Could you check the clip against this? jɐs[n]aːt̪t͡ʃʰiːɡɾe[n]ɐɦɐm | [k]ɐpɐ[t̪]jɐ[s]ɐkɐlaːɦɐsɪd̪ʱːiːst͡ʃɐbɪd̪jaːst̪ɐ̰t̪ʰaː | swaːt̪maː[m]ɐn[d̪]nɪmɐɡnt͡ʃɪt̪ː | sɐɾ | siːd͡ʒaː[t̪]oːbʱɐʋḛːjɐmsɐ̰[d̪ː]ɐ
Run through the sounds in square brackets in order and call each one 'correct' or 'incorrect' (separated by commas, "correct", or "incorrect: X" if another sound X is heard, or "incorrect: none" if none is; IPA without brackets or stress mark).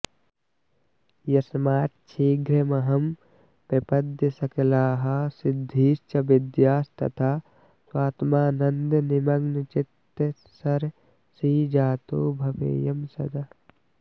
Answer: incorrect: m, incorrect: m, incorrect: p, incorrect: d̪, correct, incorrect: n, correct, correct, incorrect: d̪